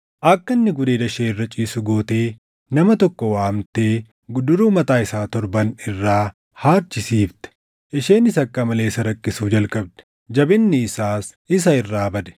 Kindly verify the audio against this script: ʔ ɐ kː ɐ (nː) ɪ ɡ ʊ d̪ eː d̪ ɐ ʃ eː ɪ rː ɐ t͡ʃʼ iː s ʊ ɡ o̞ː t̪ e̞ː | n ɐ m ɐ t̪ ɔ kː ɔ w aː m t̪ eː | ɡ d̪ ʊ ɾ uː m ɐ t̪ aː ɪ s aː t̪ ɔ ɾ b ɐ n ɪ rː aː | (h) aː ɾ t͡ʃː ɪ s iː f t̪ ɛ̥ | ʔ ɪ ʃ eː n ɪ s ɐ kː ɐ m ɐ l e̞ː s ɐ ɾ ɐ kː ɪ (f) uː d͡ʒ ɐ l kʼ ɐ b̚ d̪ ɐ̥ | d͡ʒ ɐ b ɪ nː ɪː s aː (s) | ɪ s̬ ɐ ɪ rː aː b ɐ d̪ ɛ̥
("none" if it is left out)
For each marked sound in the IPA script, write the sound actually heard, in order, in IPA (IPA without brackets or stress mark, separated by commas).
nː, h, s, s